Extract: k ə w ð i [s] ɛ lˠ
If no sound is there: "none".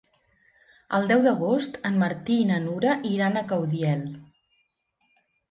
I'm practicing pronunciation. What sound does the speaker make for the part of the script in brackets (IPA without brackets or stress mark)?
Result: none